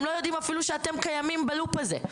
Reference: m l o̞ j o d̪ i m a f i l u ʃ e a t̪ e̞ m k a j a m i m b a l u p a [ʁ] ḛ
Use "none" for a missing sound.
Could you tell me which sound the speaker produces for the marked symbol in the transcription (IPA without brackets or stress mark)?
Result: z